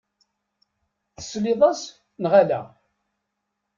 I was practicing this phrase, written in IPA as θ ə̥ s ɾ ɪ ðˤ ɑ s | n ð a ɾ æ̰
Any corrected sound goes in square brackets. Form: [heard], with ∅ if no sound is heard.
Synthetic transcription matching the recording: θ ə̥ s [l] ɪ ðˤ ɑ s | n [ʁ] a [l] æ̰